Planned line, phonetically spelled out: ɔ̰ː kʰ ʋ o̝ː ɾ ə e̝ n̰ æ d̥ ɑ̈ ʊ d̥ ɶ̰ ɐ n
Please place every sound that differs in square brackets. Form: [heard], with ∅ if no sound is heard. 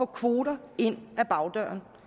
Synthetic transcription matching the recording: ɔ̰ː kʰ ʋ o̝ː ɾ [ɐ] e̝ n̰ æ [b̥] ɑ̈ ʊ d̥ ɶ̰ ɐ n

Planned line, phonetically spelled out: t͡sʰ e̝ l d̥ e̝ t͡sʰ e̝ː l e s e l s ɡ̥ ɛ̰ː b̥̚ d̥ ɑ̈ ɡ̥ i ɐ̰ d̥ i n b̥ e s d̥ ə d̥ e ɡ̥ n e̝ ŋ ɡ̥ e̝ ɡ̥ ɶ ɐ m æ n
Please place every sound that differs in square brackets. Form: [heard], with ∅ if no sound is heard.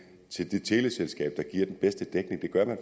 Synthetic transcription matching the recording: t͡sʰ e̝ l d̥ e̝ t͡sʰ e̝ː l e s e l s ɡ̥ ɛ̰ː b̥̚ d̥ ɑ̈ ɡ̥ i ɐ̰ d̥ [e] n b̥ e s d̥ ə d̥ e ɡ̥ n e̝ ŋ [d̥] e̝ ɡ̥ ɶ ɐ m æ n

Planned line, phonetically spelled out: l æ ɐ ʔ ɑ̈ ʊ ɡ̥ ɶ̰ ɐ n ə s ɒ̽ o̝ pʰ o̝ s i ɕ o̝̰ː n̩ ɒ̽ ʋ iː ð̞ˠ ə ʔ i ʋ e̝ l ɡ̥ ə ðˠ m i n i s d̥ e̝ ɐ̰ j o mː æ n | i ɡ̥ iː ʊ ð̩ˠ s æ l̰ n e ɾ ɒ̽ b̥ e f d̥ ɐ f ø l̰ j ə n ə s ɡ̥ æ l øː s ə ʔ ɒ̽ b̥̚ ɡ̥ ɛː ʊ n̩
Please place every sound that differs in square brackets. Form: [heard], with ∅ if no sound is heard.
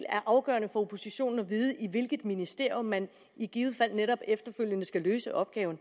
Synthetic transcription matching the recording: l æ ɐ ʔ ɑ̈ ʊ ɡ̥ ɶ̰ ɐ n ə [f] ɒ̽ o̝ pʰ o̝ s i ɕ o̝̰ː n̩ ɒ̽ ʋ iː ð̞ˠ ə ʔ i ʋ e̝ l ɡ̥ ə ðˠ m i n i s d̥ e̝ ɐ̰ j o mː æ n | i ɡ̥ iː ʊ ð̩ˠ [f] æ l̰ n e ɾ ɒ̽ b̥ e f d̥ ɐ f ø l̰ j ə n ə s ɡ̥ æ l øː s ə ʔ ɒ̽ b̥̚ ɡ̥ ɛː ʊ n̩

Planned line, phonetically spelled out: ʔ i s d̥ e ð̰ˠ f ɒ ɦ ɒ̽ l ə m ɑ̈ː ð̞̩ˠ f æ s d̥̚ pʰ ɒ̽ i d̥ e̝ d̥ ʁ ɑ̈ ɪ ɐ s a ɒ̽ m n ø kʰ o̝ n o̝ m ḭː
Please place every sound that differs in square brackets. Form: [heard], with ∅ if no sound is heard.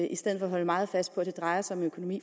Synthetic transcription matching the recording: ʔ i s d̥ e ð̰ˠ f ɒ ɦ ɒ̽ l ə m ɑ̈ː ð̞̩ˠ f æ s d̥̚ pʰ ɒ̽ [æ] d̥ e̝ d̥ ʁ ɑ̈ ɪ ɐ s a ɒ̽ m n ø kʰ o̝ n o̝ m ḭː

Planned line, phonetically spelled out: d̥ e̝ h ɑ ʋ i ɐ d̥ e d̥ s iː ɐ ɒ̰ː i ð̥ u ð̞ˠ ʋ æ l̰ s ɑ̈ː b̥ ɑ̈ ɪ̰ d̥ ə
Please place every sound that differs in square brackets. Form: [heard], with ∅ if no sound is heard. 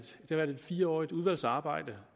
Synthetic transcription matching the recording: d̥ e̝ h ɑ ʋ [æ] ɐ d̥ e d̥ [f] iː ɐ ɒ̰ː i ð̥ u ð̞ˠ ʋ æ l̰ s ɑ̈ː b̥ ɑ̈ ɪ̰ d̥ ə

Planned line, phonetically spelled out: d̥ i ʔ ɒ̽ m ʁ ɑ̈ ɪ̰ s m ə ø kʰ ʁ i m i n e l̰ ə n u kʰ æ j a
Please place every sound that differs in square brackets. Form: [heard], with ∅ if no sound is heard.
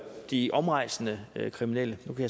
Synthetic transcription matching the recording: d̥ i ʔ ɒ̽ m ʁ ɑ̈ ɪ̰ s [n] ə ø kʰ ʁ i m i n e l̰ ə n u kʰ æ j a

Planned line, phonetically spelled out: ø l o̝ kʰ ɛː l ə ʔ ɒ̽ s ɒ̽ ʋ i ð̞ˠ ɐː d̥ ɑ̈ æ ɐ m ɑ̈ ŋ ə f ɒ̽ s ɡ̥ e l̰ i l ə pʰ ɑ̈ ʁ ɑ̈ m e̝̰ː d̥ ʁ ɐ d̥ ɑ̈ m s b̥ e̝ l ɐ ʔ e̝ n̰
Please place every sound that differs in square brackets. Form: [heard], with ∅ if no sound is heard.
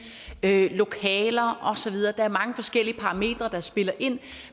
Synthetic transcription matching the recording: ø l o̝ kʰ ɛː l [ɐ] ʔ ɒ̽ s ɒ̽ ʋ i ð̞ˠ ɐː d̥ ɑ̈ æ ɐ m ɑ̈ ŋ ə f ɒ̽ s ɡ̥ e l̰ i [∅] ə pʰ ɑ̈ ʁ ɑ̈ m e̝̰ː d̥ ʁ ɐ d̥ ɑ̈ [∅] s b̥ e̝ l ɐ ʔ e̝ n̰

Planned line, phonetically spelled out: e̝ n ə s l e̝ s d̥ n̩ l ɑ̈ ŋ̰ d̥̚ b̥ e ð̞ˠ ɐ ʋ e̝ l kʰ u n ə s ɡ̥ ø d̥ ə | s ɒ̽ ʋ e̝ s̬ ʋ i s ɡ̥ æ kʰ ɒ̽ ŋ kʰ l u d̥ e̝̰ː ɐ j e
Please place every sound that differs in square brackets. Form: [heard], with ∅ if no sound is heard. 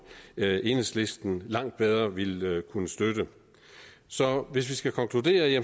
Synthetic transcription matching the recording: e̝ n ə s l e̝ s d̥ n̩ l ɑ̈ ŋ̰ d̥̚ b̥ e ð̞ˠ ɐ ʋ e̝ l kʰ u n ə s [d̥] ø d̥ ə | s ɒ̽ ʋ e̝ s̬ ʋ i s ɡ̥ æ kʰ ɒ̽ ŋ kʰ l u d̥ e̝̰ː ɐ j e

